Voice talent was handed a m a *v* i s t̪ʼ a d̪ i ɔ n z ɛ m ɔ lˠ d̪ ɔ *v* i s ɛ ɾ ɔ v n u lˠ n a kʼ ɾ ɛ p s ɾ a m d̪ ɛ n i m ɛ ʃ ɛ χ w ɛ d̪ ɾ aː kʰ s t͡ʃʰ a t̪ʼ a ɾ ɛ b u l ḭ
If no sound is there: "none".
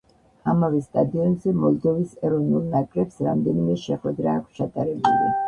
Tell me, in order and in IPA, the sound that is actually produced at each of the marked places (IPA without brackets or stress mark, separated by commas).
v, v